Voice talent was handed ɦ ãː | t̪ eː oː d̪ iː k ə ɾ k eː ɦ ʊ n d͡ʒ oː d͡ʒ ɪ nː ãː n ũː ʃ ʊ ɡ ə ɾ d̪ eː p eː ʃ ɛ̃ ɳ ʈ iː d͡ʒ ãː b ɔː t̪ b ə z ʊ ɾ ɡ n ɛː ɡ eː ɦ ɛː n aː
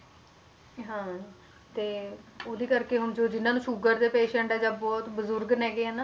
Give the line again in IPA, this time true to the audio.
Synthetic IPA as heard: ɦ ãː | t̪ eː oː d̪ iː k ə ɾ k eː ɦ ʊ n d͡ʒ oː d͡ʒ ɪ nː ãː n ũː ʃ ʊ ɡ ə ɾ d̪ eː p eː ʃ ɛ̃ ɳ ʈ ɛː d͡ʒ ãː b ɔː t̪ b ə z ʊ ɾ ɡ n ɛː ɡ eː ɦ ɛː n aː